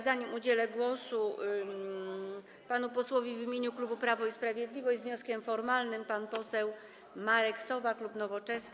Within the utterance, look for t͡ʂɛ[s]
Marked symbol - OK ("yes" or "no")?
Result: yes